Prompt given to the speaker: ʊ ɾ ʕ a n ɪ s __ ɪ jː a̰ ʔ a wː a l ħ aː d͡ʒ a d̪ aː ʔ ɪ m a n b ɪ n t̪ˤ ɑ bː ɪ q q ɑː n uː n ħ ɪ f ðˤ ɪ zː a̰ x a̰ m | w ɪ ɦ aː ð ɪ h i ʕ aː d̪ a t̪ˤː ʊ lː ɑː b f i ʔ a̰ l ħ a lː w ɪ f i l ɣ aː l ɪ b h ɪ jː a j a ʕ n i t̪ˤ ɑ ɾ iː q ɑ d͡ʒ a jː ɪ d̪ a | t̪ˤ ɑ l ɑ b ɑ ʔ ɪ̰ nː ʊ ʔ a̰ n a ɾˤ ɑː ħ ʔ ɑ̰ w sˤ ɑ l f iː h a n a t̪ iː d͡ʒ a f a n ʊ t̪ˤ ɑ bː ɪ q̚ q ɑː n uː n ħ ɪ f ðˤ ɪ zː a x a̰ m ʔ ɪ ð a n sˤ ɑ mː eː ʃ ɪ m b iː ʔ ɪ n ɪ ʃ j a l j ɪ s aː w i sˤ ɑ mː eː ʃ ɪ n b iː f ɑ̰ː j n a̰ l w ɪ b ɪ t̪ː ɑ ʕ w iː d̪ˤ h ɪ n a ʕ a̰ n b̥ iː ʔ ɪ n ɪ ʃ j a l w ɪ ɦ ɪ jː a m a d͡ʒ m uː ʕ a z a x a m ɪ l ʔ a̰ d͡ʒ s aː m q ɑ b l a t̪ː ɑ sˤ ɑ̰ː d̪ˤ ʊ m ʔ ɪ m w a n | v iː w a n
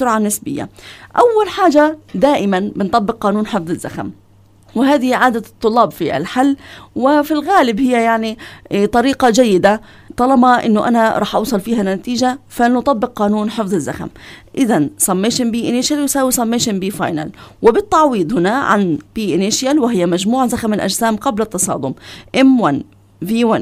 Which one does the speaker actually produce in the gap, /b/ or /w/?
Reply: b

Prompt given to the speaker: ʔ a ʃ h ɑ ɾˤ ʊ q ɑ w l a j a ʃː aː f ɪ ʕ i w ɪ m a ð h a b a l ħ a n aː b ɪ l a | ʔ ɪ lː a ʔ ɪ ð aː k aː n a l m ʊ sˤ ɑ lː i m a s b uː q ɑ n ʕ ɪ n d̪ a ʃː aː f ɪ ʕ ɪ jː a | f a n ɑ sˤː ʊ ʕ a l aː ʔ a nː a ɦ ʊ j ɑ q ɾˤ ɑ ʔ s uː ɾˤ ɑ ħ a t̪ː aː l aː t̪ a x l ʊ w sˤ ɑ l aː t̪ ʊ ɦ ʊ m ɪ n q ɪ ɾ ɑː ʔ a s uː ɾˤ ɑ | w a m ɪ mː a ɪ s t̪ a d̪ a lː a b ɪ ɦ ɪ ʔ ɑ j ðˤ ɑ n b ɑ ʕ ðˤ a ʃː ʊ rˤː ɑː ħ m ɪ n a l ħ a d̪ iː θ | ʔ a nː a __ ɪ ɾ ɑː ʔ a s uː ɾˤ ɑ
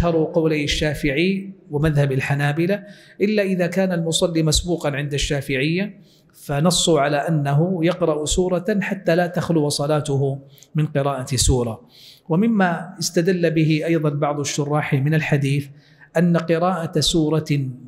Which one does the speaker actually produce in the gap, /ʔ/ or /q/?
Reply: q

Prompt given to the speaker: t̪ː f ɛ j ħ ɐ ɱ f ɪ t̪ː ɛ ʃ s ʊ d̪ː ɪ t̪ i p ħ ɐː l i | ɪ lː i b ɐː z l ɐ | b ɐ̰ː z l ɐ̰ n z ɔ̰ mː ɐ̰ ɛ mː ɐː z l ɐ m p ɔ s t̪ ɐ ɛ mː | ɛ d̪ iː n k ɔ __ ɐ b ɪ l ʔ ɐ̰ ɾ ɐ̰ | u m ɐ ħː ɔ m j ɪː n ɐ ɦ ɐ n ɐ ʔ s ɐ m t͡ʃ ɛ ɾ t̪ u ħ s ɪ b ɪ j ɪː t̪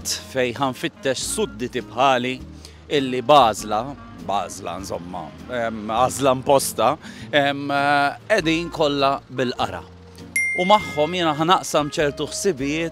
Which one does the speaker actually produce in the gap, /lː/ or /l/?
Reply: lː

